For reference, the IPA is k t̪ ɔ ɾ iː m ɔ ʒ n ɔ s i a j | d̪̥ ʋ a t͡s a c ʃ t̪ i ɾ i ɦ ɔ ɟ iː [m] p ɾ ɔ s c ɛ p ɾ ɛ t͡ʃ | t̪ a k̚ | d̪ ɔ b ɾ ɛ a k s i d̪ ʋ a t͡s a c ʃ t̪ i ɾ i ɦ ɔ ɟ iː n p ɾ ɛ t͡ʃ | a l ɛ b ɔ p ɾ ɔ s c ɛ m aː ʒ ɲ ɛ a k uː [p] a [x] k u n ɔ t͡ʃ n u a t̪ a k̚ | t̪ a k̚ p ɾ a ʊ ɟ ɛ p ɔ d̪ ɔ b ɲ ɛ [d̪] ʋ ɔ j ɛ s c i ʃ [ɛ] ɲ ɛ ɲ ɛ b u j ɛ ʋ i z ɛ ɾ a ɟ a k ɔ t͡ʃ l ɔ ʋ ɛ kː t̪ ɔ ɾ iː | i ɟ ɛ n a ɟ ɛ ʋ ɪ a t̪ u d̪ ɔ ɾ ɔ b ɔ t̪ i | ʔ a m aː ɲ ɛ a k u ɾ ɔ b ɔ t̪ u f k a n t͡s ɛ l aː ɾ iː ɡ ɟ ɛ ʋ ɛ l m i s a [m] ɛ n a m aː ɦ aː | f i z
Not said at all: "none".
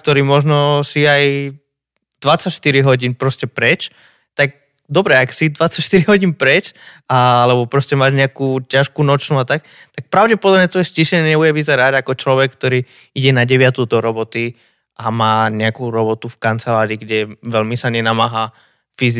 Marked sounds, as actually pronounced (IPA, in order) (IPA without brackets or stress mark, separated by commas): n, c, ʃ, t̪, ɛ, ɲ